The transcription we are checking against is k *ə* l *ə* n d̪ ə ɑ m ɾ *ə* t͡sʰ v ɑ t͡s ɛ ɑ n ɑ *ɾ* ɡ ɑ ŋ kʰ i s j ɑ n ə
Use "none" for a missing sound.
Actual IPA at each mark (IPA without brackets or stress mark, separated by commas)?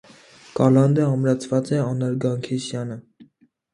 ɑ, ɑ, ɑ, ɾ